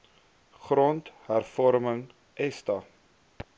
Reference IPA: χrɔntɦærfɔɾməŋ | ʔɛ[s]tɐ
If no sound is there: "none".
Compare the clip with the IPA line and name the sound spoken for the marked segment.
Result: s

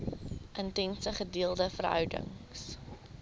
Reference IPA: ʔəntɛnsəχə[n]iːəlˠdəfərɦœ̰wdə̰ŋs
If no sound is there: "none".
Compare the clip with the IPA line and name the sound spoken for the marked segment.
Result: d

